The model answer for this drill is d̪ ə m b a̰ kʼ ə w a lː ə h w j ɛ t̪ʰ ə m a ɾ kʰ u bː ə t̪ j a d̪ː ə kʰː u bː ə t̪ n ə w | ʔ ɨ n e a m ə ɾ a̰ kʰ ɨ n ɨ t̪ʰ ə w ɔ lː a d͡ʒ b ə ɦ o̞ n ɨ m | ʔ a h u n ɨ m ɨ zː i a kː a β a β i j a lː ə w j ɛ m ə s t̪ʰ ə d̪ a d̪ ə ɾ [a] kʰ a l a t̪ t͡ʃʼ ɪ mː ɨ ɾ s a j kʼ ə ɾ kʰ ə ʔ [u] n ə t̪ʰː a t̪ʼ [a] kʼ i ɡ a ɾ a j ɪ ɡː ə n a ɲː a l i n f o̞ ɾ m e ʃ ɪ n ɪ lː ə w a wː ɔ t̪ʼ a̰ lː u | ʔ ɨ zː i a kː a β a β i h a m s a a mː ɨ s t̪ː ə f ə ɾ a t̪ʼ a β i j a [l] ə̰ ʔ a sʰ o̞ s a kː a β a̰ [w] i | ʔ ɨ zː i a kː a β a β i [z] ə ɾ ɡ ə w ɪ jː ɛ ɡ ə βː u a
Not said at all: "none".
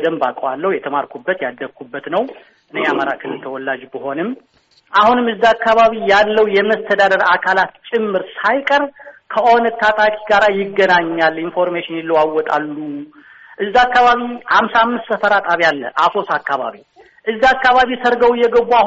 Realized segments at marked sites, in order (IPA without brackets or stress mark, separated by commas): a, o, a, lː, β, s